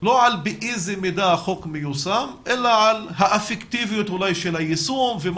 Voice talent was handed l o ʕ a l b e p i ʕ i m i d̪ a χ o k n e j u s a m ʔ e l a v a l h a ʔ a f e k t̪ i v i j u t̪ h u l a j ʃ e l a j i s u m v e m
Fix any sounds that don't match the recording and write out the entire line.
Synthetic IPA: l o ʕ a l b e ʔ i z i m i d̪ a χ o k m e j u s a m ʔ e l a ʕ a l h a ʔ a f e k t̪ i v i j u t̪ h u l a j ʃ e l a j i s u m v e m